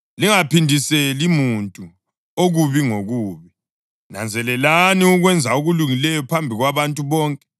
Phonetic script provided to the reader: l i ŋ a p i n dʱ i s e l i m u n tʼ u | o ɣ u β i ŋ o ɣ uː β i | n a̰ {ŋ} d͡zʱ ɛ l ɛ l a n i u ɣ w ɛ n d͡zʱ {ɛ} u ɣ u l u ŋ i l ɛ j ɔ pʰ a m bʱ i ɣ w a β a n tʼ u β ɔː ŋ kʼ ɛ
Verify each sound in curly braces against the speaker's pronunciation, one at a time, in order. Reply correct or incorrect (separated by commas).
incorrect, incorrect